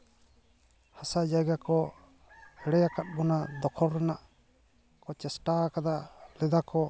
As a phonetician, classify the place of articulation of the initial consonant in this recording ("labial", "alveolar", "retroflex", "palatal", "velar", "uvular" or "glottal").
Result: glottal